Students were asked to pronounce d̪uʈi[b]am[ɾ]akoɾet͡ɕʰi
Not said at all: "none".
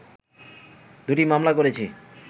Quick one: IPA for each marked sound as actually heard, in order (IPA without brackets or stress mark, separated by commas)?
m, l